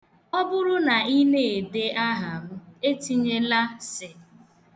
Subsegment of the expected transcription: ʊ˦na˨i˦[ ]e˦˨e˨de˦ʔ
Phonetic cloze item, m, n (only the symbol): n